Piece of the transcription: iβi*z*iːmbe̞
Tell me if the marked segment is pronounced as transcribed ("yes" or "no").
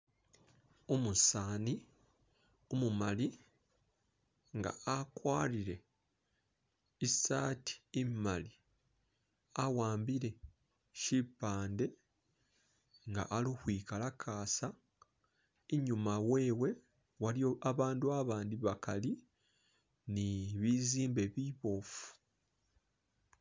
yes